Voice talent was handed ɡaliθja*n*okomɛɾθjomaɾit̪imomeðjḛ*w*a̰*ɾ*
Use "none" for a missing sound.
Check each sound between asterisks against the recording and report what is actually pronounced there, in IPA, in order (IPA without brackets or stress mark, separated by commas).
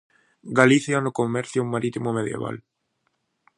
n, β, l